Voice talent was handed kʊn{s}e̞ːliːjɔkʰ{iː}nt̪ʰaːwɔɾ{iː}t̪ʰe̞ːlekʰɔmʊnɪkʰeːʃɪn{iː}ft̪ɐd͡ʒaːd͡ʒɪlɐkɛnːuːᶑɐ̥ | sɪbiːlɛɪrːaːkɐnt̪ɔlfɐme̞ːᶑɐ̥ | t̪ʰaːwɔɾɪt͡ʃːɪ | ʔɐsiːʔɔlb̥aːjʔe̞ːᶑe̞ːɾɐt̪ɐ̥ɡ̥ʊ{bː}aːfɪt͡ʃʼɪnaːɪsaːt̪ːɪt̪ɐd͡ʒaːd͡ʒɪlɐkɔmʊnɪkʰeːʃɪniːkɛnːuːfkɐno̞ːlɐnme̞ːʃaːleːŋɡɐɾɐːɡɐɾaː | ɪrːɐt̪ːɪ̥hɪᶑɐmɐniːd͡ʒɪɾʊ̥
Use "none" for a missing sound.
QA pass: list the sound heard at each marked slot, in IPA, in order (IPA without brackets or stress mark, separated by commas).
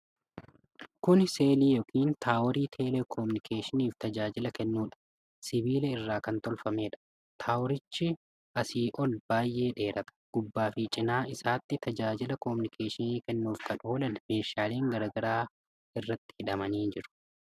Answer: s, iː, iː, iː, bː